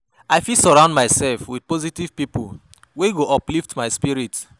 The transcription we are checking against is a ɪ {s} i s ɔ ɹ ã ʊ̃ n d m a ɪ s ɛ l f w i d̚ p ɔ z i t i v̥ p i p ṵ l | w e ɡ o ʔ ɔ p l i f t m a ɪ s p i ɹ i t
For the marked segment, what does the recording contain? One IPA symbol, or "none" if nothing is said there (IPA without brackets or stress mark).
f